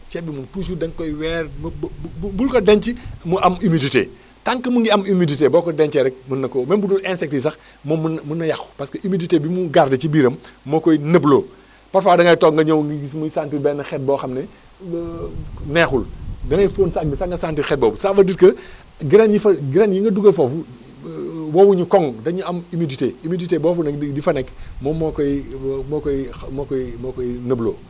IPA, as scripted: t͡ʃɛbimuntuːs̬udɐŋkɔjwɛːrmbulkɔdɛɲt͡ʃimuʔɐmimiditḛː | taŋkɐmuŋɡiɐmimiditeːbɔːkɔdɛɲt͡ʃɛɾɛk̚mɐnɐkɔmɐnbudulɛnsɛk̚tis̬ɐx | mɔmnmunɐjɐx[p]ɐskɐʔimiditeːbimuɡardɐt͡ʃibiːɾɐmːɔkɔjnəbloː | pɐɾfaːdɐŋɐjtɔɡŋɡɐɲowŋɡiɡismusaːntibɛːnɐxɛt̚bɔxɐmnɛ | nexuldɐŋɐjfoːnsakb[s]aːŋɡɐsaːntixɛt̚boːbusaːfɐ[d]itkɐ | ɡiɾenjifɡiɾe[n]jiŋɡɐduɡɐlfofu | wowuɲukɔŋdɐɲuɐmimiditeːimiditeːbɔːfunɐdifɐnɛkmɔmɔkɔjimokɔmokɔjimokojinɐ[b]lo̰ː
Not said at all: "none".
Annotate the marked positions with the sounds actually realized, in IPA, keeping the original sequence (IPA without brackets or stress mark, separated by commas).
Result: p, s, d, n, b